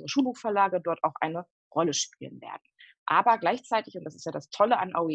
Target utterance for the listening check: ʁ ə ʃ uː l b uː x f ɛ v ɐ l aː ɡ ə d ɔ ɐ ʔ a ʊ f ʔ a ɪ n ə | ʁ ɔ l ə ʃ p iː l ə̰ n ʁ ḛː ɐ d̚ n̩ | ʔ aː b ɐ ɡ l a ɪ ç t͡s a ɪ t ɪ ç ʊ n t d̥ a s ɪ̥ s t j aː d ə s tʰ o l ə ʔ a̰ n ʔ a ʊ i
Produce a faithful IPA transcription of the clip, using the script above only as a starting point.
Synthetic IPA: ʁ ə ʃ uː l b uː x f ɛ ɐ l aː ɡ ə d ɔ ɐ t a ʊ x ʔ a ɪ n ə | ʁ ɔ l ə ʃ p iː l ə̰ n v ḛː ɐ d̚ n̩ | ʔ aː b ɐ ɡ l a ɪ ç t͡s a ɪ t ɪ ç ʊ n t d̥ a s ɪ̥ s t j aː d a s tʰ ɔ l ə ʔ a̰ n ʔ a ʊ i